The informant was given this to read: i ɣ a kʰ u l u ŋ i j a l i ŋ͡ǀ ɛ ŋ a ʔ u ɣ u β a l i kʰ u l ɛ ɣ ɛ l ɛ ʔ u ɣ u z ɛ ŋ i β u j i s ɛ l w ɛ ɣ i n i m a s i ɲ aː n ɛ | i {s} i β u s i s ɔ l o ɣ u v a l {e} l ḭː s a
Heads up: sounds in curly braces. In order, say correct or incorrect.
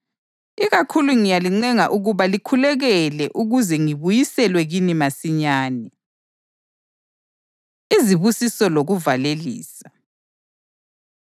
incorrect: z, correct

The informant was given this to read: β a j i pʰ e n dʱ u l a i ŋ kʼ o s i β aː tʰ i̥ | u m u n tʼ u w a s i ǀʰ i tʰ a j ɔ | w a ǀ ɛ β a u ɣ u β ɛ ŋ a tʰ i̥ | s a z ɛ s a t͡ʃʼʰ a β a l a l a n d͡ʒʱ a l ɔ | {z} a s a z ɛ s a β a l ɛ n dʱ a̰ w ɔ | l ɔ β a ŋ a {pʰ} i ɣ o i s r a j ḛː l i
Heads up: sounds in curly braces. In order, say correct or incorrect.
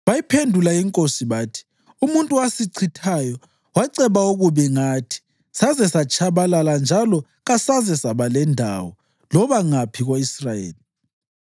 incorrect: ɣ, correct

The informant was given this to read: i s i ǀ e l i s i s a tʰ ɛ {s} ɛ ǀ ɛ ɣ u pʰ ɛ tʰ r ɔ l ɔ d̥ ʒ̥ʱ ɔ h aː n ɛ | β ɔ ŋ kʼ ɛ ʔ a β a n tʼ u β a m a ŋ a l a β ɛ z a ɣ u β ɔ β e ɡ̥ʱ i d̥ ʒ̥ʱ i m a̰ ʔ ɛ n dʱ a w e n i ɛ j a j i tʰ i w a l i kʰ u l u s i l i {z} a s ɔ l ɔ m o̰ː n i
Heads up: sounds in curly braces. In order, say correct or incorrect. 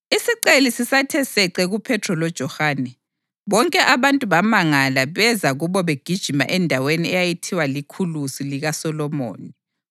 correct, incorrect: ɣ

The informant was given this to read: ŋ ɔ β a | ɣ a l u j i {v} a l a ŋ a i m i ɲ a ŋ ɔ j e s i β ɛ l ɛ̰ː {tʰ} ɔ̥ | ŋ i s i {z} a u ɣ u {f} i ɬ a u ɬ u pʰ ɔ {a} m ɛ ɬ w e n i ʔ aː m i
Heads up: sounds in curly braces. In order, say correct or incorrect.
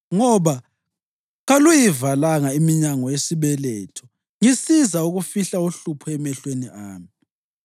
correct, correct, correct, correct, incorrect: ɛ

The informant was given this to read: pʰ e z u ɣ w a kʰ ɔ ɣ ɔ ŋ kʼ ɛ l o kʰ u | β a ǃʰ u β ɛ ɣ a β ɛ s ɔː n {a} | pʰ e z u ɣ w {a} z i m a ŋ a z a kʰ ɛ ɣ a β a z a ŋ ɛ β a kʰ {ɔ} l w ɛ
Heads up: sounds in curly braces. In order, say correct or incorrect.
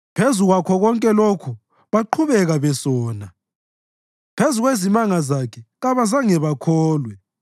correct, incorrect: e, incorrect: ɔː

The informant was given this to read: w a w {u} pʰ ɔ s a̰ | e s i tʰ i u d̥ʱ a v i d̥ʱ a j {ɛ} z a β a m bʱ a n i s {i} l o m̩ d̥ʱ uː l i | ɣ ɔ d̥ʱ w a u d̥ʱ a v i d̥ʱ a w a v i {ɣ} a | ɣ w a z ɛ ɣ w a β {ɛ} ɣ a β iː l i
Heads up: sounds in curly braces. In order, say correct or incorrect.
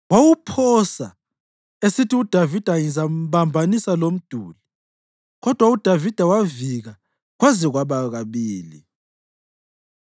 correct, incorrect: i, incorrect: a, correct, incorrect: a

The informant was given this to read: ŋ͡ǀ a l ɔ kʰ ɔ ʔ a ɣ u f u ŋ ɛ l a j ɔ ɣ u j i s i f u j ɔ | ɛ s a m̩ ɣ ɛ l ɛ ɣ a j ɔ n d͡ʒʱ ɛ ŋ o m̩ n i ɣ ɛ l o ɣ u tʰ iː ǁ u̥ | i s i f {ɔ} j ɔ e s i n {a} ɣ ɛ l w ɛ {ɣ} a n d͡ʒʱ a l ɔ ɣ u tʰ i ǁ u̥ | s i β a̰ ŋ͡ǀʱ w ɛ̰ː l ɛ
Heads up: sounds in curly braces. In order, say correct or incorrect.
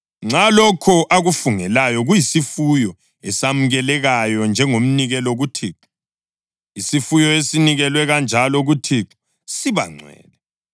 incorrect: u, incorrect: i, correct

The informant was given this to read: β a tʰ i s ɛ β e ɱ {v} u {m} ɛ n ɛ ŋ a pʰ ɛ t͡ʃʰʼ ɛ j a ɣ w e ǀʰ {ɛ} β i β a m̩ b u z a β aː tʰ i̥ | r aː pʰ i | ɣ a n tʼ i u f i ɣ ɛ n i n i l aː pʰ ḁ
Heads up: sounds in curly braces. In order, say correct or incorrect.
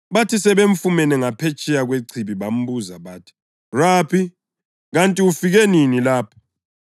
incorrect: f, correct, incorrect: i

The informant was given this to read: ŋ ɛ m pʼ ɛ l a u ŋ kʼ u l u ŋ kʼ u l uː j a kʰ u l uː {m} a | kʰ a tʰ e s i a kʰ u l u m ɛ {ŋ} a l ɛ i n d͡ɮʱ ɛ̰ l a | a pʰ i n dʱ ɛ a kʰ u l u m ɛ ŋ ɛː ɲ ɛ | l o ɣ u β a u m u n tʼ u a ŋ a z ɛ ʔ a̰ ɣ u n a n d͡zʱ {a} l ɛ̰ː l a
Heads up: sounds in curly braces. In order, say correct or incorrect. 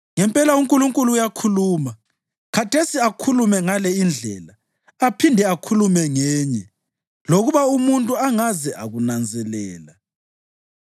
correct, correct, incorrect: ɛ

